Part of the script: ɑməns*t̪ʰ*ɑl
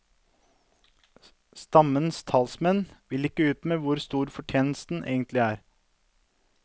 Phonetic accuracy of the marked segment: correct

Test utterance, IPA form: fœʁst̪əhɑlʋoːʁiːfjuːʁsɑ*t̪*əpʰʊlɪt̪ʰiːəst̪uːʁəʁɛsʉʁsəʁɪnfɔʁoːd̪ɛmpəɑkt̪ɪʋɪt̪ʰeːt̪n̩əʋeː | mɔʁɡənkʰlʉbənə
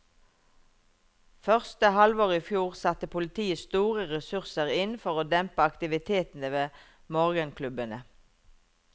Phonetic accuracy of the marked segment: correct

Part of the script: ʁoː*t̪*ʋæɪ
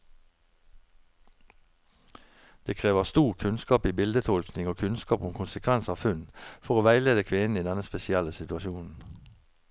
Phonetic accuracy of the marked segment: incorrect: none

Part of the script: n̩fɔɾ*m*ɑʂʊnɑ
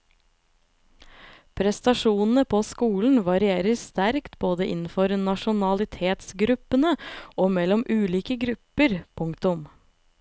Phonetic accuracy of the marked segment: incorrect: n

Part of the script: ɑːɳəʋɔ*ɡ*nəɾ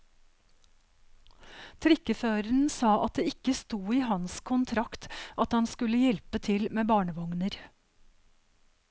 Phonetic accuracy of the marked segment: incorrect: ŋ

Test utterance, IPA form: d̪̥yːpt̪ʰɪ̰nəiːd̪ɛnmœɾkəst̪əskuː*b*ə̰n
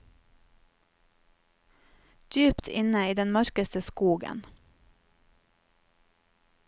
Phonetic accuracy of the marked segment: incorrect: ɡ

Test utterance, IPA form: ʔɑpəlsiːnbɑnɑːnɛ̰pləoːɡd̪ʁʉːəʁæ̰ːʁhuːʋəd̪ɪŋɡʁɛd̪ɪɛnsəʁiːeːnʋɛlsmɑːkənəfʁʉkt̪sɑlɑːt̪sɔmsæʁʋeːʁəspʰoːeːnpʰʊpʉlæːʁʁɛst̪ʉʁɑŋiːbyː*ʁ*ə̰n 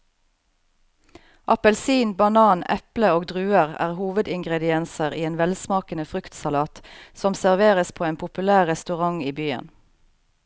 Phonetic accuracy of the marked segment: incorrect: none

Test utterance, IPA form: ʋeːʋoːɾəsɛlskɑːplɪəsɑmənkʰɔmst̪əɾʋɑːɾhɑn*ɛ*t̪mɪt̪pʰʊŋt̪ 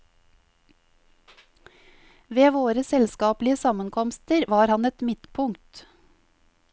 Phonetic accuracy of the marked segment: correct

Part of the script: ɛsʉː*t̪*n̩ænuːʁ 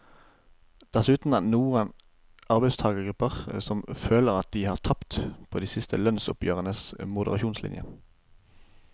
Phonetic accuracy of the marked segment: correct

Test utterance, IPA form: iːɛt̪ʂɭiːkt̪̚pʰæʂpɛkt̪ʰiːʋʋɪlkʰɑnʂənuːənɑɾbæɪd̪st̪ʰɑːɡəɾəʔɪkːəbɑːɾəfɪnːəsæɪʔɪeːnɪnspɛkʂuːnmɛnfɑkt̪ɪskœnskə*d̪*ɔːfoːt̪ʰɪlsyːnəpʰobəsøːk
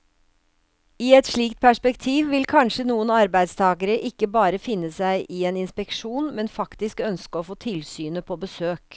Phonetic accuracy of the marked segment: incorrect: none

